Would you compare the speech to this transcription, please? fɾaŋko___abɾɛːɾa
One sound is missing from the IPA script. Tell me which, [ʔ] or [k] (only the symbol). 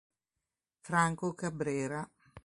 k